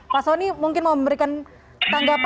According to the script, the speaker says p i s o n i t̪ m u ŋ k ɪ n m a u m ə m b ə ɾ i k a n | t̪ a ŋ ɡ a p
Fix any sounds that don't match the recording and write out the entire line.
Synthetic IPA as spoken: p a s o n i m u ŋ k ɪ n m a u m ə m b ə ɾ i k a n | t̪ a ŋ ɡ a p